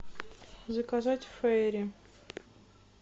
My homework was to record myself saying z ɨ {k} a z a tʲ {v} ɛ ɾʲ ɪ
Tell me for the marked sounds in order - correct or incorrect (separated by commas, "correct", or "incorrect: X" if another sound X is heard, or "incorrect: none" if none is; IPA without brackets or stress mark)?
correct, incorrect: f